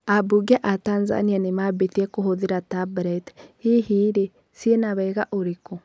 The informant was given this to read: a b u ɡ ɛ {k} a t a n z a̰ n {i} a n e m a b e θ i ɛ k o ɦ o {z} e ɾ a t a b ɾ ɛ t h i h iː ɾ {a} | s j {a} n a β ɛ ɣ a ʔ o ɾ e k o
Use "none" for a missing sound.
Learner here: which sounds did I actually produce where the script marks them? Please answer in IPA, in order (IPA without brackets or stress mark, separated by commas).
ʔ, i, ð, e, e